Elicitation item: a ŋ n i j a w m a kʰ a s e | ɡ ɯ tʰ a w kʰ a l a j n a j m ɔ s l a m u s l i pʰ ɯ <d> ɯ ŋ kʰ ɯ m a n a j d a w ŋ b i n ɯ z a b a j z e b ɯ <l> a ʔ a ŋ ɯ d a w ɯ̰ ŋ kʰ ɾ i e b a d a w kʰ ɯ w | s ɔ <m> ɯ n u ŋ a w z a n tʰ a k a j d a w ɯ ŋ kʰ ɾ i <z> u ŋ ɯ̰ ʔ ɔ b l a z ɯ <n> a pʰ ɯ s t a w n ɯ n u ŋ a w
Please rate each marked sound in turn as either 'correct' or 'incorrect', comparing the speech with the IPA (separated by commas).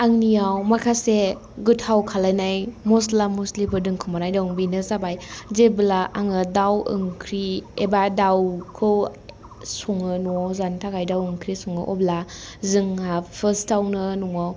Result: correct, correct, incorrect, incorrect, incorrect